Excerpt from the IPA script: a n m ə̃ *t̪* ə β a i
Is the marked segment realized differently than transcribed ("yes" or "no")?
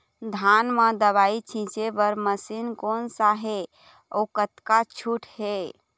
yes